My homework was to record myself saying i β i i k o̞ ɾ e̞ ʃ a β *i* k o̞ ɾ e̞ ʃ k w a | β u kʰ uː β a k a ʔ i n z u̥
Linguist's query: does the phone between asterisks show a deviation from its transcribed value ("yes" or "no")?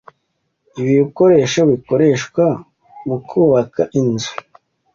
no